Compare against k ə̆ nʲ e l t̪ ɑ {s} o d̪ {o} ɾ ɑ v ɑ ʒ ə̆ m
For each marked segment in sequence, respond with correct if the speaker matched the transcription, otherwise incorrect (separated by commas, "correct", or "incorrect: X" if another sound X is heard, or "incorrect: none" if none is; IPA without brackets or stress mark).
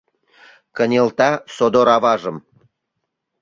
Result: correct, correct